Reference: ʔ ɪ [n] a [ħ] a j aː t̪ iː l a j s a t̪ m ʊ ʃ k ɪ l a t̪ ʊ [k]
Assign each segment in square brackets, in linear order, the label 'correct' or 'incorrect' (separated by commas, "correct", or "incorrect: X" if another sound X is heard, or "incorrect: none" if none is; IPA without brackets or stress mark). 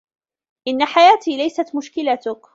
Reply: incorrect: nː, correct, correct